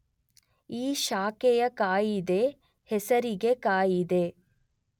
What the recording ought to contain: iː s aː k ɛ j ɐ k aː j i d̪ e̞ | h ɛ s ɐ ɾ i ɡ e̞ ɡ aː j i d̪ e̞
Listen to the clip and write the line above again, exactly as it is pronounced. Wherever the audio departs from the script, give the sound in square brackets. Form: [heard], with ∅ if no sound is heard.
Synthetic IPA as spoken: iː [ʃ] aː k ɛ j ɐ k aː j i d̪ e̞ | h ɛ s ɐ ɾ i ɡ e̞ [k] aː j i d̪ e̞